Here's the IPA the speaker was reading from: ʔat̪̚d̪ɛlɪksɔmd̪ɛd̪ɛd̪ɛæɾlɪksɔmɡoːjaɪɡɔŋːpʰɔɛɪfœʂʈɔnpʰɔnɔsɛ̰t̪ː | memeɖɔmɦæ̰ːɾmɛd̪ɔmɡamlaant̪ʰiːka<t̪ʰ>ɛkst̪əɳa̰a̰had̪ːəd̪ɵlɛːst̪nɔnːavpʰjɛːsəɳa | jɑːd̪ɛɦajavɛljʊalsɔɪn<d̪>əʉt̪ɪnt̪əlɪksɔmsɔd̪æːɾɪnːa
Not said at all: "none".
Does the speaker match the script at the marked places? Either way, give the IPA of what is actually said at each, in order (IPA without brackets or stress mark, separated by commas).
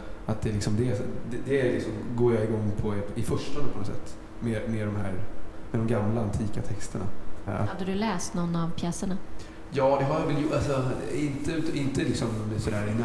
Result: t̪ʰ, t̪